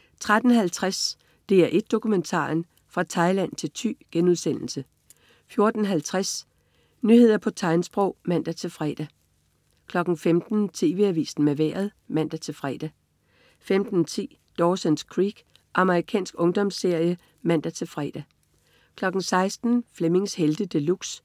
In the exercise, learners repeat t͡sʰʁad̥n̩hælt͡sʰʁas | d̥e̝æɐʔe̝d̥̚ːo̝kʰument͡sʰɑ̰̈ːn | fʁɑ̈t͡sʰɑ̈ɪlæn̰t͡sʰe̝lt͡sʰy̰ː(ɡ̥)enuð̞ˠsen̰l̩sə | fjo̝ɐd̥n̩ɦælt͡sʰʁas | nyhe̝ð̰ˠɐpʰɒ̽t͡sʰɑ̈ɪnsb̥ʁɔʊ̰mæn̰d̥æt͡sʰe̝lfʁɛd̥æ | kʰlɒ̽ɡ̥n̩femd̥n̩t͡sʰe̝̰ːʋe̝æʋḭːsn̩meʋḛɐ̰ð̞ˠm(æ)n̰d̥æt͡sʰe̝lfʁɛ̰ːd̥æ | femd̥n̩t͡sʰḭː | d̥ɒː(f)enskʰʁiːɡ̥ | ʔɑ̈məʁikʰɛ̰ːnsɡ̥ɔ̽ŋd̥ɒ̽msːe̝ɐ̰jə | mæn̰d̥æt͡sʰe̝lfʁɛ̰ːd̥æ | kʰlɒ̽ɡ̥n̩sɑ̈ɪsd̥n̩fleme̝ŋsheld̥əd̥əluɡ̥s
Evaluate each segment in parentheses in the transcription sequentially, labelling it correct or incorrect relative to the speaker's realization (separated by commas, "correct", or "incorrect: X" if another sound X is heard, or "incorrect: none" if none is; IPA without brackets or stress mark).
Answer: correct, correct, incorrect: s